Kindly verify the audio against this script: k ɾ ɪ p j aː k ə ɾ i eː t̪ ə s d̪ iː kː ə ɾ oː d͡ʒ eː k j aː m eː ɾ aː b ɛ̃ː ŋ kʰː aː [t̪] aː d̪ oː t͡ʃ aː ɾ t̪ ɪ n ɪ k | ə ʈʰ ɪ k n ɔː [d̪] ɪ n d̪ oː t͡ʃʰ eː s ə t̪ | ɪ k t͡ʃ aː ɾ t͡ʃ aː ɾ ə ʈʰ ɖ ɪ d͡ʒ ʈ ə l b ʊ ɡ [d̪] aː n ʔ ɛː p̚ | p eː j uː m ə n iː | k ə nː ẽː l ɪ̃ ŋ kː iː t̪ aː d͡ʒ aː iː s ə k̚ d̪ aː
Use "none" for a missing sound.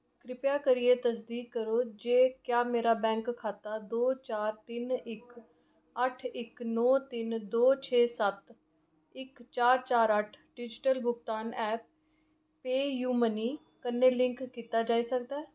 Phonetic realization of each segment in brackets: t̪, t̪, t̪

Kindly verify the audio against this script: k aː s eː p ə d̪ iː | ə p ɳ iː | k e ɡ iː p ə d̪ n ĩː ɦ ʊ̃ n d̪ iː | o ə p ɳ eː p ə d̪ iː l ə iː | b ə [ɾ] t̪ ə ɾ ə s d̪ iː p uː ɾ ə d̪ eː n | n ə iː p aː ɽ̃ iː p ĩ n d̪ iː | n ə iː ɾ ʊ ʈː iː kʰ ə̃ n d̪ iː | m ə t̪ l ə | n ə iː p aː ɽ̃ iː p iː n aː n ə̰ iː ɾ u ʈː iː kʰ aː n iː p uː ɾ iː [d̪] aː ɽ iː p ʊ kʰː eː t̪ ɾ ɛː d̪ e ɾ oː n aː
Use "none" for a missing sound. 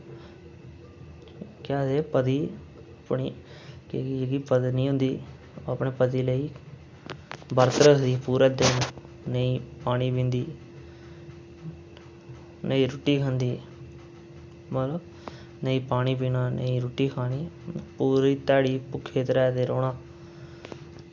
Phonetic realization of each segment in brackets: ɾ, t̪

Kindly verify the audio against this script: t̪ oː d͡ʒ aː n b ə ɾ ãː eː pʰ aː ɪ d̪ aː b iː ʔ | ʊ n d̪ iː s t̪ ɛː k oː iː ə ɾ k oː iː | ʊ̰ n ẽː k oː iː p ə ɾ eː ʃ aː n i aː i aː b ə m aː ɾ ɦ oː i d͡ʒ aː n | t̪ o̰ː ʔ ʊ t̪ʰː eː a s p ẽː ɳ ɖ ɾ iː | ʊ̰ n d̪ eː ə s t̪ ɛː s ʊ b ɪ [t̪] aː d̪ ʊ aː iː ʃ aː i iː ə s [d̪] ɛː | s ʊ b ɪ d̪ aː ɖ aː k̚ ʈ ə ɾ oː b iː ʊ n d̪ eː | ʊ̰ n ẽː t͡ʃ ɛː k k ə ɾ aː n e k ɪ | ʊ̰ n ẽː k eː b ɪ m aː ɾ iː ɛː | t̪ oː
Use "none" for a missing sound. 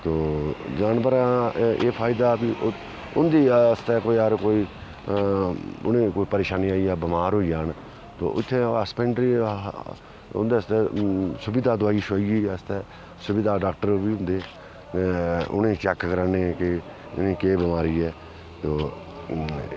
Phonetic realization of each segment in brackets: d̪, t̪

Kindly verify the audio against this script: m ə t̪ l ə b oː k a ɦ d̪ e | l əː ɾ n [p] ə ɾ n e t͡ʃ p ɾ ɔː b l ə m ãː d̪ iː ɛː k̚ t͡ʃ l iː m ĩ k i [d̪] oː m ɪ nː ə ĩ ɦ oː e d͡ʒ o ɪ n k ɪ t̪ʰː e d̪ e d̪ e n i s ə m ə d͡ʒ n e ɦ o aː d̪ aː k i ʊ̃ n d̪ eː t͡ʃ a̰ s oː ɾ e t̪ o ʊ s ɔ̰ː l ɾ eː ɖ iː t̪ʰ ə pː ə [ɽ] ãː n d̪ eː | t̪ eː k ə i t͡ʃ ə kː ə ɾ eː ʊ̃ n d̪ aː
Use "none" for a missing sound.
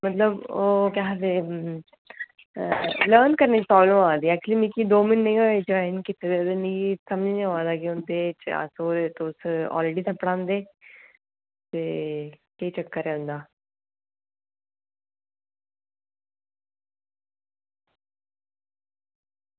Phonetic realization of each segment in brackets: k, d̪, ɽ

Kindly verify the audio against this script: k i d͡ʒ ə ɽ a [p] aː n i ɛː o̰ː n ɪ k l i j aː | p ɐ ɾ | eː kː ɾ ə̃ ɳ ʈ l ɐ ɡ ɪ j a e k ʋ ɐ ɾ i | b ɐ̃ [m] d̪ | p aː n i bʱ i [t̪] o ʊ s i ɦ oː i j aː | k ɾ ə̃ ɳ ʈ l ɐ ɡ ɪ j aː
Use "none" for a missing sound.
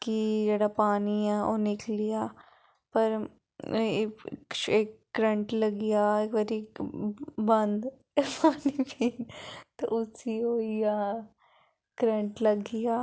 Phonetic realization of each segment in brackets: p, n, t̪

